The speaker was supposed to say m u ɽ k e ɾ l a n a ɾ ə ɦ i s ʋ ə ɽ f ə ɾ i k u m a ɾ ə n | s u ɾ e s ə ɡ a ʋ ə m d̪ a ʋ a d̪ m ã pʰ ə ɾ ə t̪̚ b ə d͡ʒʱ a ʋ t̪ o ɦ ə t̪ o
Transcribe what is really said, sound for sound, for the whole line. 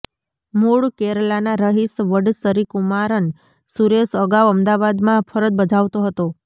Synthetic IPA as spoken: m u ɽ k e ɾ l a n a ɾ ə ɦ i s ʋ ə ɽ s ə ɾ i k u m a ɾ ə n | s u ɾ e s ə ɡ a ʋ ə m d̪ a ʋ a d̪ m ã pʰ ə ɾ ə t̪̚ b ə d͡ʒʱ a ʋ t̪ o ɦ ə t̪ o